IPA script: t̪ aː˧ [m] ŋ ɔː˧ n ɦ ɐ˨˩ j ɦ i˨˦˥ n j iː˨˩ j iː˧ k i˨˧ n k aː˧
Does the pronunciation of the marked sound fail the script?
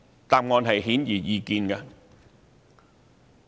no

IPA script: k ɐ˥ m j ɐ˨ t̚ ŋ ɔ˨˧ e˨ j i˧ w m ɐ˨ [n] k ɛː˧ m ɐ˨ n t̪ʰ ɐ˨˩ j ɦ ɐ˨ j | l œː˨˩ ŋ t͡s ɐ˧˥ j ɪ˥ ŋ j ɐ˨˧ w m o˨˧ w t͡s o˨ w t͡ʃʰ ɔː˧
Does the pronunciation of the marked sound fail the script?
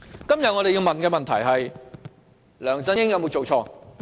no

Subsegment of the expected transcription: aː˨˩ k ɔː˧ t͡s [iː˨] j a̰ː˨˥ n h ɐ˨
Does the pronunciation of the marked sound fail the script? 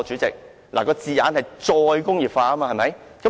no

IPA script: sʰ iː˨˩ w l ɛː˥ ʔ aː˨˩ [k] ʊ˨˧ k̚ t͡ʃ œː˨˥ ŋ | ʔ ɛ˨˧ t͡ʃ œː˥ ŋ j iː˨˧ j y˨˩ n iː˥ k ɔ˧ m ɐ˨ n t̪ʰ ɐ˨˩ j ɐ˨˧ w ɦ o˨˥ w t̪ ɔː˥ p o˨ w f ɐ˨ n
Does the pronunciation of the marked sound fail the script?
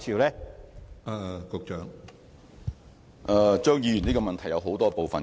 no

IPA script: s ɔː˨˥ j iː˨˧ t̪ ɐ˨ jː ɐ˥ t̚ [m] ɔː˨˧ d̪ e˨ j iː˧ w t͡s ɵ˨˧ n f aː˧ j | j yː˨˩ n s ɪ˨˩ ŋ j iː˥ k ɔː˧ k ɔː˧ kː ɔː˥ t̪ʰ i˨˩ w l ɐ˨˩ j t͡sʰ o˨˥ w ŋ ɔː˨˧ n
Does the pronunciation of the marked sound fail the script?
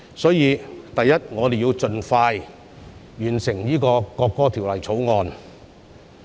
yes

